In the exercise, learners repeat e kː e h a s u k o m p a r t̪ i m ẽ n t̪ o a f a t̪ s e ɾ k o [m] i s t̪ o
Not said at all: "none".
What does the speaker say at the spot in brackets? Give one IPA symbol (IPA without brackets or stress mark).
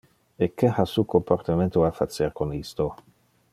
n